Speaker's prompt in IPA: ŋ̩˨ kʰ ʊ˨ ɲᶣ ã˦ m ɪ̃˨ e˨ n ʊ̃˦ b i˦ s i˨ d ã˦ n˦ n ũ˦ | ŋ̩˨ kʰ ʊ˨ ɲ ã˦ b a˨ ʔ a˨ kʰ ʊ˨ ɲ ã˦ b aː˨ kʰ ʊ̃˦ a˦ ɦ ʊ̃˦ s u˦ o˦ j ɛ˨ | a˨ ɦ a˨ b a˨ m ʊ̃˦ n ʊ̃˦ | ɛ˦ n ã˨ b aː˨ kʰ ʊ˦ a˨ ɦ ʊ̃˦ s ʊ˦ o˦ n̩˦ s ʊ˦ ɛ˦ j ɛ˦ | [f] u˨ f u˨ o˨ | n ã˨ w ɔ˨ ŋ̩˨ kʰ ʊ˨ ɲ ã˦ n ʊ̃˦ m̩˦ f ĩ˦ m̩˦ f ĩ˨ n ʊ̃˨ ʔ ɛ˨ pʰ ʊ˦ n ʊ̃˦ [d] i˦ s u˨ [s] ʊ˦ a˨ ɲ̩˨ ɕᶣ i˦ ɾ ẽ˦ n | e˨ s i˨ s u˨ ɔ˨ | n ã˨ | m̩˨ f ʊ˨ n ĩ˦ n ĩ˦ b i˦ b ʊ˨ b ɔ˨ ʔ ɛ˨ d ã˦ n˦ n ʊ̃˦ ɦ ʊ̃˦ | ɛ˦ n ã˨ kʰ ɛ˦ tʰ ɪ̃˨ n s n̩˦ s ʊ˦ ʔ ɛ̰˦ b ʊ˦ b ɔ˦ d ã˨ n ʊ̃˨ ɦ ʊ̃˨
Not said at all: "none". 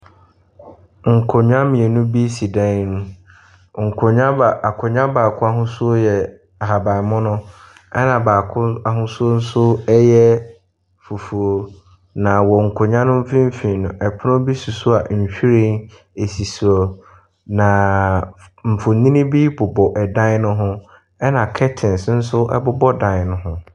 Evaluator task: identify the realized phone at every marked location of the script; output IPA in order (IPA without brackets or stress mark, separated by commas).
f, b, s